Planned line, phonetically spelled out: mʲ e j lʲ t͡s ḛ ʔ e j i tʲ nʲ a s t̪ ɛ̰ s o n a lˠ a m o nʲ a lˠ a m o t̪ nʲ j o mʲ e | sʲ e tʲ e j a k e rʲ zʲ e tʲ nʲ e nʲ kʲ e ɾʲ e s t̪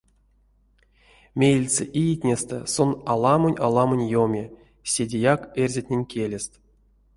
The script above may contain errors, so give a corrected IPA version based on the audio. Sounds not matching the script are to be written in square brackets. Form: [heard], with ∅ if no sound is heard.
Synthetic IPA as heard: mʲ e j lʲ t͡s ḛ ʔ [i] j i tʲ nʲ [e] s t̪ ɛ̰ s o n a lˠ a m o nʲ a lˠ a m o [∅] nʲ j o mʲ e | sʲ e [dʲ] e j a k e rʲ zʲ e tʲ nʲ e nʲ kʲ e [lʲ] e s t̪